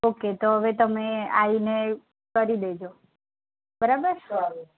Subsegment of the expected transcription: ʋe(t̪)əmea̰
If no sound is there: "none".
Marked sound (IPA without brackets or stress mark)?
t̪